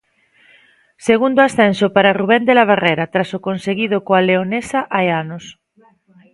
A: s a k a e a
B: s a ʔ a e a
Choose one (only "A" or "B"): B